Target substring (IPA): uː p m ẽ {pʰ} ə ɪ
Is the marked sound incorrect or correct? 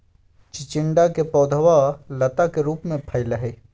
correct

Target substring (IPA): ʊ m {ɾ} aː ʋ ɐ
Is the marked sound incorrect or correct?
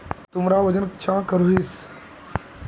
correct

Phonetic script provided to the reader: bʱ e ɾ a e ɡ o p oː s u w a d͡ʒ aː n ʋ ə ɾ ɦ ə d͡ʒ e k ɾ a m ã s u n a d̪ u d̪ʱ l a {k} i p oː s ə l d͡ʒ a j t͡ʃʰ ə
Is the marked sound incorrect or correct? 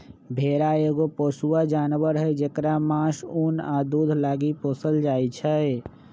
incorrect: ɡ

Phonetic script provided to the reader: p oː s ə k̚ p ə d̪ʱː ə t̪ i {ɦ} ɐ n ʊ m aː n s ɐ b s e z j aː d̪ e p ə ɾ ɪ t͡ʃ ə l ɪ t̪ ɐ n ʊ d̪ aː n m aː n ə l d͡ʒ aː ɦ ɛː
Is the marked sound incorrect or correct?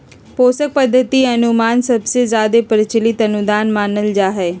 incorrect: none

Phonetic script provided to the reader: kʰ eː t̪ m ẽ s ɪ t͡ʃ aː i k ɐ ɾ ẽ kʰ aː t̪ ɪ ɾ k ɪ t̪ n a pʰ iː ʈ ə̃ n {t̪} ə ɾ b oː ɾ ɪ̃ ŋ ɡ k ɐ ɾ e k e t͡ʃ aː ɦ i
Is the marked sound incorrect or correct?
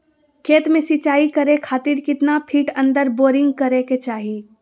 incorrect: d̪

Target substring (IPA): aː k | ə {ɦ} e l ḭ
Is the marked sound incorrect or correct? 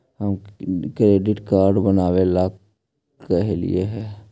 correct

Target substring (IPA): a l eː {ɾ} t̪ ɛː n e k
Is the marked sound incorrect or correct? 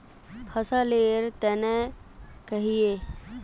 correct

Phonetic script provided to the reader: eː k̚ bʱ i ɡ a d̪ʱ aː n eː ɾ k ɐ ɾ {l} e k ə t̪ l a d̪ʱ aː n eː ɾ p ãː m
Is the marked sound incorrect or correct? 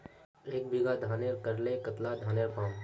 correct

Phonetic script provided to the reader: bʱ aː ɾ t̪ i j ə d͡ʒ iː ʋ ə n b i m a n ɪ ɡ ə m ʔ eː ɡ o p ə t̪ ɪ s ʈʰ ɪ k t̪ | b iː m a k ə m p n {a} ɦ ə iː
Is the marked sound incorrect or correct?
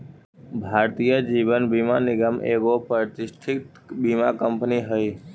incorrect: i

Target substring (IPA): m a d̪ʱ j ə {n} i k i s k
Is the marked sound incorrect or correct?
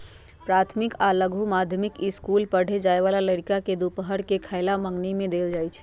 incorrect: m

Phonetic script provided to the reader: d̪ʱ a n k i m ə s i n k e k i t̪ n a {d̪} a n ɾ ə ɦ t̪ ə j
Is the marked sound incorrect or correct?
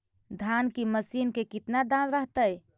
correct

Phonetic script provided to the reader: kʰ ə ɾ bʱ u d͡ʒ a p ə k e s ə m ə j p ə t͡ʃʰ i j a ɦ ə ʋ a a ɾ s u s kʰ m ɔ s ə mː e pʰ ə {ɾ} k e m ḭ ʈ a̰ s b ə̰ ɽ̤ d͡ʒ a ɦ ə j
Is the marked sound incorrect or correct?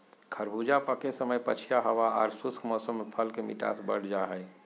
incorrect: l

